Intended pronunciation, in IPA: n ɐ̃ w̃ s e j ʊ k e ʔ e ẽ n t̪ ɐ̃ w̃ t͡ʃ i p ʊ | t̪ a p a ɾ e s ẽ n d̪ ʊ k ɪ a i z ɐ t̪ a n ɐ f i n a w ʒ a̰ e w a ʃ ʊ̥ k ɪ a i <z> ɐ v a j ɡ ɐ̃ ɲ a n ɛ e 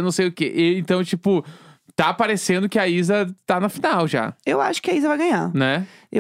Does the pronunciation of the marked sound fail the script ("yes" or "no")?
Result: no